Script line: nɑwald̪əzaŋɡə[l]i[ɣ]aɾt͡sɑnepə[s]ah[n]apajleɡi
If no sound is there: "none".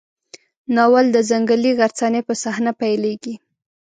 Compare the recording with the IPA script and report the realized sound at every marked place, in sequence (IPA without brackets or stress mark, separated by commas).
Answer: l, ɣ, s, n